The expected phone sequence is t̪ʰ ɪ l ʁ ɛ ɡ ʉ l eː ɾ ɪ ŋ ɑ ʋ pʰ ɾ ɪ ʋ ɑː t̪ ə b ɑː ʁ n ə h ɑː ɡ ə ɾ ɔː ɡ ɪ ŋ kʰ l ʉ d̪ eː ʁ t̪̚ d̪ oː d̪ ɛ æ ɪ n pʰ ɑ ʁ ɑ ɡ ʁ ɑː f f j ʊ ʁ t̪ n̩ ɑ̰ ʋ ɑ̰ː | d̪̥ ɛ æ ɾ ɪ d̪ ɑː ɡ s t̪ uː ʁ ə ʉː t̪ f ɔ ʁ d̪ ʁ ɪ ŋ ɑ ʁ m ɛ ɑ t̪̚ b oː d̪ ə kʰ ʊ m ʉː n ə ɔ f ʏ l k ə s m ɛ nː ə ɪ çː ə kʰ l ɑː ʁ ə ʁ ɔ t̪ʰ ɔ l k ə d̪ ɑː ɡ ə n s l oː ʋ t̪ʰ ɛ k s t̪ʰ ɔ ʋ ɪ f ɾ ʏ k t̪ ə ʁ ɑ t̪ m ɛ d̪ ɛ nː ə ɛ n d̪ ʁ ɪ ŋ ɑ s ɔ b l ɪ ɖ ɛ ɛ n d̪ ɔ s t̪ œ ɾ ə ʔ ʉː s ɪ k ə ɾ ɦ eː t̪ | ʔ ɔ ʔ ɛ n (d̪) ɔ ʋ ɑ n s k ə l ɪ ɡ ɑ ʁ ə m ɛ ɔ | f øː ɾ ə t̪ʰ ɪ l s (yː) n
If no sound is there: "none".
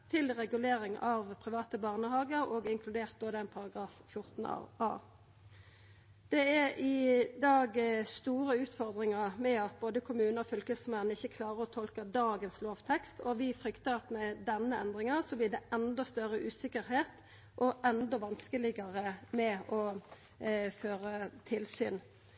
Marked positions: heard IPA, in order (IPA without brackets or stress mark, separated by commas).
d̪, yː